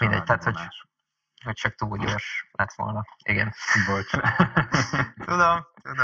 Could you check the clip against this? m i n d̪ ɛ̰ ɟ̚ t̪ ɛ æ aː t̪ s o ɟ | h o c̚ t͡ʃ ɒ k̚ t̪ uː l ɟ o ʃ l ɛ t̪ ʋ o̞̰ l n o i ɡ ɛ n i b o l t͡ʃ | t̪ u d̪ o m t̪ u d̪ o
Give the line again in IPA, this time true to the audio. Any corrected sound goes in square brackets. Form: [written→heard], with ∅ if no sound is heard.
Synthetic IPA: m i n d̪ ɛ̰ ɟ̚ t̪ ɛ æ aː t̪ [s→h] o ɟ | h o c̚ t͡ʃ ɒ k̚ t̪ uː l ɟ o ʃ l ɛ t̪ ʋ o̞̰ l n [o→ɒ] i ɡ ɛ n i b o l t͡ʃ | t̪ u d̪ o m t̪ u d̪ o